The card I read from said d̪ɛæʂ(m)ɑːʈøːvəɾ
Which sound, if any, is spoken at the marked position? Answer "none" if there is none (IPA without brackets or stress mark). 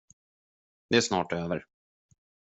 n